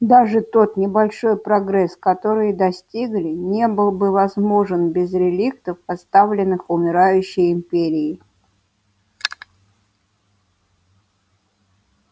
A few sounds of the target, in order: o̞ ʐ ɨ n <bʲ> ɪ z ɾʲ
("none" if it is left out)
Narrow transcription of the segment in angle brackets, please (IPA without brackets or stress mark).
bʲ